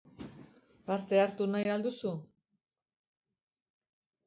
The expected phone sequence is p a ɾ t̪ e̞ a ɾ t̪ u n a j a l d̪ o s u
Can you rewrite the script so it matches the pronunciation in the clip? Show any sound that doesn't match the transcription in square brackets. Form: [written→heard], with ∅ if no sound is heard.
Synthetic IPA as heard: p a ɾ t̪ e̞ a ɾ t̪ u n a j a l d̪ [o→u] s u